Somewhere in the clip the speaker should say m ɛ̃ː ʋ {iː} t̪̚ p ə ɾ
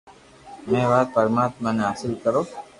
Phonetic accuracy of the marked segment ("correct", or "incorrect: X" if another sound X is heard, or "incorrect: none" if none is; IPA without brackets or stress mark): incorrect: aː